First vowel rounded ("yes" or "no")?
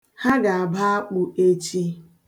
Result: no